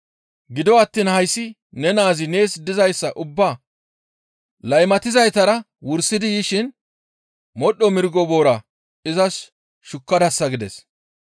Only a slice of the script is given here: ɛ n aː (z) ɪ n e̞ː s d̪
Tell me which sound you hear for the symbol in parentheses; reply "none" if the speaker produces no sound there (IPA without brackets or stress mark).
z